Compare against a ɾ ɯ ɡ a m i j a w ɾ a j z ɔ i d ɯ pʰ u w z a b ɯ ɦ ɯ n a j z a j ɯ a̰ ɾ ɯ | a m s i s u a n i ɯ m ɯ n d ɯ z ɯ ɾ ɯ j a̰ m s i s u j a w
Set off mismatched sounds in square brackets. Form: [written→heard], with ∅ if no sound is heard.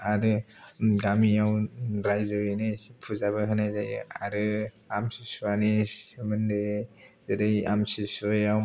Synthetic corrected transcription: a ɾ ɯ ɡ a m i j a w ɾ a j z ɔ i [d→n] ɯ pʰ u [w→∅] z a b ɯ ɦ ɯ n a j z a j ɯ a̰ ɾ ɯ | a m s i s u a n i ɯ m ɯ n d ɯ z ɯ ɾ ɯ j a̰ m s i s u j a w